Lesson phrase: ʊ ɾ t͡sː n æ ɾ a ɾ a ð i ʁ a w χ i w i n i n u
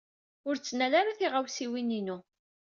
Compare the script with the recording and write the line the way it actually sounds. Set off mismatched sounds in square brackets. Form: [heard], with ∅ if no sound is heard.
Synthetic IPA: ʊ ɾ t͡sː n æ [l] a ɾ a [θ] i ʁ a w [s] i w i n i n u